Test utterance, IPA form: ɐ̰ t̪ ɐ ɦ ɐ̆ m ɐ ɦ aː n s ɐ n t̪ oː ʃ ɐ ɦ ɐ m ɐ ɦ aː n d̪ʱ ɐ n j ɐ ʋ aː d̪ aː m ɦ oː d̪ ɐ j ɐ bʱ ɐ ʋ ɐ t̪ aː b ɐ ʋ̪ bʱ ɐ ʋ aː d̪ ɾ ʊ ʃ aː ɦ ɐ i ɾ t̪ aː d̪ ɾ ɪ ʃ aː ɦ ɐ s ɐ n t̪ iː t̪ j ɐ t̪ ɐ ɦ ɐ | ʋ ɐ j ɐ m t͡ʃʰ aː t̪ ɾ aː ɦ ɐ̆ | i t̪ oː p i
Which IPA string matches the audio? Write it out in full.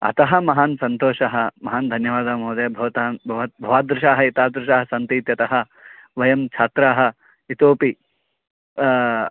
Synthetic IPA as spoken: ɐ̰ t̪ ɐ ɦ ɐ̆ m ɐ ɦ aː n s ɐ n t̪ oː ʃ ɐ ɦ ɐ m ɐ ɦ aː n d̪ʱ ɐ n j ɐ ʋ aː d̪ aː m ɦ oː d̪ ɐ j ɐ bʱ ɐ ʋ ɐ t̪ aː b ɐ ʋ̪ bʱ ɐ ʋ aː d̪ ɾ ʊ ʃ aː ɦ ɐ i t̪ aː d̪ ɾ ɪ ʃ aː ɦ ɐ s ɐ n t̪ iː t̪ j ɐ t̪ ɐ ɦ ɐ | ʋ ɐ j ɐ m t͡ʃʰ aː t̪ ɾ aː ɦ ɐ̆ | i t̪ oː p i